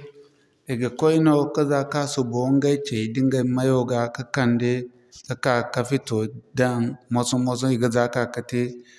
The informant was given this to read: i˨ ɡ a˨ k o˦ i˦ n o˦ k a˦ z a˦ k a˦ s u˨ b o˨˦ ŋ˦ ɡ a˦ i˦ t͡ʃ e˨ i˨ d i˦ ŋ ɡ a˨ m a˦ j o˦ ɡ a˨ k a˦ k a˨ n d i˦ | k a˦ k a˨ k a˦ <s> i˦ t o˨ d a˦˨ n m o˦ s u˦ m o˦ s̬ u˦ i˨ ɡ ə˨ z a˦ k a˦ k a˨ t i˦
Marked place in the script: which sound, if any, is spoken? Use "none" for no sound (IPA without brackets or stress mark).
f